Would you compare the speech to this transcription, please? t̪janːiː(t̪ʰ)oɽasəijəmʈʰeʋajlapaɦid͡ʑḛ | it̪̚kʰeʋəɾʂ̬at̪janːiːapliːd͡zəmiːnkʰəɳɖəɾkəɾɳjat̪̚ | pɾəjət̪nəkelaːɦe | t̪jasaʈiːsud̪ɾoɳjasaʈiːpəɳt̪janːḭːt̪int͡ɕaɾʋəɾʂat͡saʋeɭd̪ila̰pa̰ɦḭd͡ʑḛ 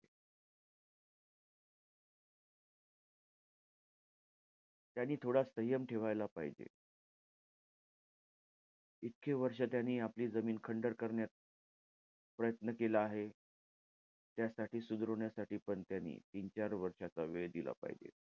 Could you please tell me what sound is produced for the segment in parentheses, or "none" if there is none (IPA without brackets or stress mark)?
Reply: t̪ʰ